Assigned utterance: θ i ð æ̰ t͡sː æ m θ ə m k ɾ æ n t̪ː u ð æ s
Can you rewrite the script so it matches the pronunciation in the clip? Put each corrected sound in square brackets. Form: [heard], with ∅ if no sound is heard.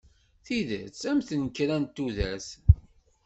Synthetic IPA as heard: θ i ð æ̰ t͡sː æ m θ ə [n] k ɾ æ n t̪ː u ð æ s